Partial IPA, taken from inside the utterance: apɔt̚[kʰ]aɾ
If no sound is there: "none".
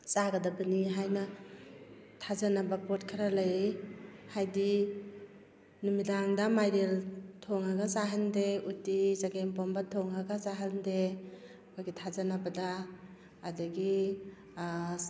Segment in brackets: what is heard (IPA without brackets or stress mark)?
kʰ